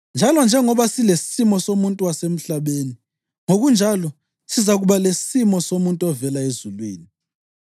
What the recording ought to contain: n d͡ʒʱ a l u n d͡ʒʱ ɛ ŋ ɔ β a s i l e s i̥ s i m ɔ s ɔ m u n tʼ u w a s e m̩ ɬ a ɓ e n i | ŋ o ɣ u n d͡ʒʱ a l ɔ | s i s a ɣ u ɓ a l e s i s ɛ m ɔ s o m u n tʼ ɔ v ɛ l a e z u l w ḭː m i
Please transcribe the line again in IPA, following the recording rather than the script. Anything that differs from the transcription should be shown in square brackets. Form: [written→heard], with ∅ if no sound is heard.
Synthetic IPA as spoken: n d͡ʒʱ a l [u→ɔ] n d͡ʒʱ ɛ ŋ ɔ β a s i l e s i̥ s i m ɔ s [ɔ→o] m u n tʼ u w a s e m̩ ɬ a ɓ e n i | ŋ o ɣ u n d͡ʒʱ a l ɔ | s i [s→z] a ɣ u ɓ a l e s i s [ɛ→i] m ɔ s o m u n tʼ ɔ v ɛ l a e z u l w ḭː [m→n] i

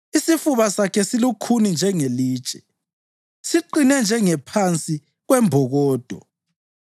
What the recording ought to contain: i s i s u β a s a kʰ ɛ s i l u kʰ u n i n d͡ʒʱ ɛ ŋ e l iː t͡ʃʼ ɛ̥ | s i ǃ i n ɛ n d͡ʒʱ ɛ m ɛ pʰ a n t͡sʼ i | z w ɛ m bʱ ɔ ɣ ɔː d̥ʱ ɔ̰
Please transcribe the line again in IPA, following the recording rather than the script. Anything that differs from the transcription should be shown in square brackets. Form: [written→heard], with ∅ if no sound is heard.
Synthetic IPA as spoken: i s i [s→f] u β a s a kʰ ɛ s i l u kʰ u n i n d͡ʒʱ ɛ ŋ e l iː t͡ʃʼ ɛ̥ | s i ǃ i n ɛ n d͡ʒʱ ɛ [m→ŋ] ɛ pʰ a n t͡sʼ i | [z→ɣ] w ɛ m bʱ ɔ ɣ ɔː d̥ʱ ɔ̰

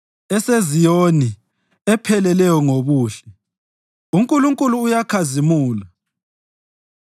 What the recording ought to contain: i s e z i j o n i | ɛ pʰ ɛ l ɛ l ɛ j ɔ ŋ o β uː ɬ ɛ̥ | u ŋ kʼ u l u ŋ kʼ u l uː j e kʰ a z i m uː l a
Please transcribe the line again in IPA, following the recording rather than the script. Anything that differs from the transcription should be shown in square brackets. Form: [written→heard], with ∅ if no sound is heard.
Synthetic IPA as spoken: [i→ɛ] s e z i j o n i | ɛ pʰ ɛ l ɛ l ɛ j ɔ ŋ o β uː ɬ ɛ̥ | u ŋ kʼ u l u ŋ kʼ u l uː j [e→a] kʰ a z i m uː l a

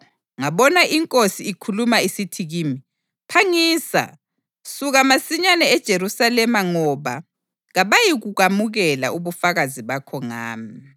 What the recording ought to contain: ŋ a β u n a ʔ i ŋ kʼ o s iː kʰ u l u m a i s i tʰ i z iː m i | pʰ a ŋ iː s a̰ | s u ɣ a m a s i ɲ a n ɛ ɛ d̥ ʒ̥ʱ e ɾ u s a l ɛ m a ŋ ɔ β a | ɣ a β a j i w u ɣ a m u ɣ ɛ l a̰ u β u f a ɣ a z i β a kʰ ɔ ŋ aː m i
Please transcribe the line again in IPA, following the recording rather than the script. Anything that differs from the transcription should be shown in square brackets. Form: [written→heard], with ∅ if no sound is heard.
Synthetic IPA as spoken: ŋ a β [u→ɔ] n a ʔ i ŋ kʼ o s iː kʰ u l u m a i s i tʰ i [z→ɣ] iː m i | pʰ a ŋ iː s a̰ | s u ɣ a m a s i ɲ a n ɛ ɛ d̥ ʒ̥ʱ e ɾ u s a l ɛ m a ŋ ɔ β a | ɣ a β a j i [w→ɣ] u ɣ a m u ɣ ɛ l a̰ u β u f a ɣ a z i β a kʰ ɔ ŋ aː m i

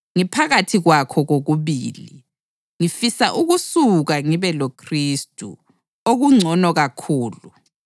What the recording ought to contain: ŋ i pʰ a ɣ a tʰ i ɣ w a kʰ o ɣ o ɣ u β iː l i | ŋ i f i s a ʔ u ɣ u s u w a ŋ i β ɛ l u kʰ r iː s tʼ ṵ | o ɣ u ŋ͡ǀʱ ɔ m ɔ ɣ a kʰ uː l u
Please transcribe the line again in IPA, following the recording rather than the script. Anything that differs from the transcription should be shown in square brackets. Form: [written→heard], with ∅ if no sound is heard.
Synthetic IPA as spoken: ŋ i pʰ a ɣ a tʰ i ɣ w a kʰ [o→ɔ] ɣ o ɣ u β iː l i | ŋ i f i s a ʔ u ɣ u s u [w→ɣ] a ŋ i β ɛ l [u→o] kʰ r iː s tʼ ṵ | o ɣ u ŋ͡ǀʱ ɔ [m→n] ɔ ɣ a kʰ uː l u

